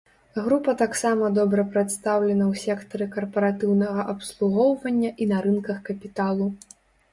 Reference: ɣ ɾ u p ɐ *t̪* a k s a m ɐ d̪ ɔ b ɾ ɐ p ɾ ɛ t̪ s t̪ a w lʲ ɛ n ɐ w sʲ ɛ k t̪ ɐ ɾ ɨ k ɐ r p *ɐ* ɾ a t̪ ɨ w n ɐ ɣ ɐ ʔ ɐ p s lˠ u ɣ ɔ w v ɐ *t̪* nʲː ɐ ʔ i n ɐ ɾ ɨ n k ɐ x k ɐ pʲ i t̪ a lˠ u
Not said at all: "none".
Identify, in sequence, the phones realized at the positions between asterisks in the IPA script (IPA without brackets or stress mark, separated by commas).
t̪, ɐ, none